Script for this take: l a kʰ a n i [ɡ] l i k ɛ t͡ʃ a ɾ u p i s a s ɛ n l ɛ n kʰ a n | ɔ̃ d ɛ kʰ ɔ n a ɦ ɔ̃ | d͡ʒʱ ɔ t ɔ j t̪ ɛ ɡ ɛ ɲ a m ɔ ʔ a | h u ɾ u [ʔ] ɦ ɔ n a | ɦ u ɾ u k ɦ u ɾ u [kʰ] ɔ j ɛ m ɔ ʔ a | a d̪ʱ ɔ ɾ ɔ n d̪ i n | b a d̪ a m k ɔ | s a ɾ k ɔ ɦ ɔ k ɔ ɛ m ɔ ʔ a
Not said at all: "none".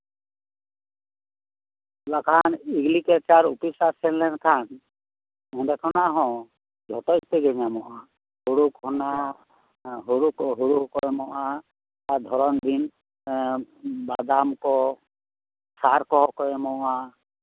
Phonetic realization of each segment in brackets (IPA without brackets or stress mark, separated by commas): ɡ, k, k